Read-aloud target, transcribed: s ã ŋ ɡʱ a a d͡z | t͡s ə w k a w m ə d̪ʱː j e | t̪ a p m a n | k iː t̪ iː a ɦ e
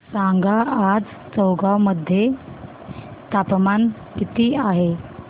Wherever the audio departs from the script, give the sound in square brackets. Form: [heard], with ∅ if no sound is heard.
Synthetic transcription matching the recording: s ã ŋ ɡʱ a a d͡z | t͡s ə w [ɡ] a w m ə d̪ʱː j e | t̪ a p m a n | k [i] t̪ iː a ɦ e

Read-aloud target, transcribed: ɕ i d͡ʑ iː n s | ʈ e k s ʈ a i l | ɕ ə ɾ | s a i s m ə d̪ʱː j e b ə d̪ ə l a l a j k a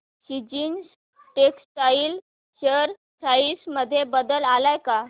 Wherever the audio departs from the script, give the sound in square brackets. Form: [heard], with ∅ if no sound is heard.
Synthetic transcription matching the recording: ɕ i d͡ʑ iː n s | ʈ e k s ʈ a i l | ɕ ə ɾ | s a i s m ə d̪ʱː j e b ə d̪ ə l a l a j k a

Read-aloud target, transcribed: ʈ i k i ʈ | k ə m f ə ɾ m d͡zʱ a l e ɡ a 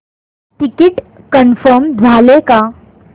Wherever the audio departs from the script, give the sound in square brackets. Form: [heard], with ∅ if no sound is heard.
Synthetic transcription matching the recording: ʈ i k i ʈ | k ə [n] f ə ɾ m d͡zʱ a l e [k] a

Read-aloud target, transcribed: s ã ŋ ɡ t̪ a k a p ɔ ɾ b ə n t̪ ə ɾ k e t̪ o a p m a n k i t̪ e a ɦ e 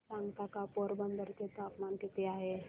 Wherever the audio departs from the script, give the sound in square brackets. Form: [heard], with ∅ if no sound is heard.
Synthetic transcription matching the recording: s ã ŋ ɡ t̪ a k a p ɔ ɾ b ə n [d̪] ə ɾ k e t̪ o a p m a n k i t̪ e a ɦ e

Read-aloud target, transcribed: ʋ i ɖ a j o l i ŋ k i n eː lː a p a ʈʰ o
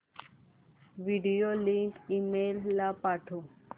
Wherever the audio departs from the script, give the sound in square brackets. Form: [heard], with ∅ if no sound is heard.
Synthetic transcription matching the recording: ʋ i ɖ [i] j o l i ŋ k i [m] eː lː a p a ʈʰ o

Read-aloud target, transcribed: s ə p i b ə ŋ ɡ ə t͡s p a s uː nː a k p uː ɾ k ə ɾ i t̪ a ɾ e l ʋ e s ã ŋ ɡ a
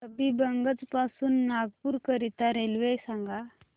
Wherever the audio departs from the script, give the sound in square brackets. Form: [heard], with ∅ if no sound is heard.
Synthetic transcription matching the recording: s ə [b] i b ə ŋ ɡ ə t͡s p a s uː nː a [ɡ] p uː ɾ k ə ɾ i t̪ a ɾ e l ʋ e s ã ŋ ɡ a

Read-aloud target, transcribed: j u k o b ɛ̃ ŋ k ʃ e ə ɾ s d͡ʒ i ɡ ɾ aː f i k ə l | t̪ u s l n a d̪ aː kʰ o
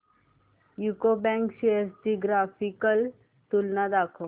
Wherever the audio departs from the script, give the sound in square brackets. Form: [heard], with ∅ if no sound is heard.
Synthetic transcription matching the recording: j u k o b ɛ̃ ŋ k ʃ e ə ɾ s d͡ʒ i ɡ ɾ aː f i k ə l | t̪ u [∅] l n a d̪ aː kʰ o

